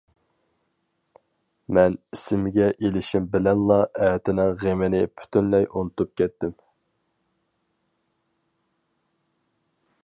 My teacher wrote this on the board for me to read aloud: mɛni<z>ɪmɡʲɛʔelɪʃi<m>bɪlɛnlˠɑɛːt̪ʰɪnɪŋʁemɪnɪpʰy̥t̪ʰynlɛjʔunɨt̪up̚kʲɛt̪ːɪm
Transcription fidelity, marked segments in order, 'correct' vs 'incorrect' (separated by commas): incorrect, correct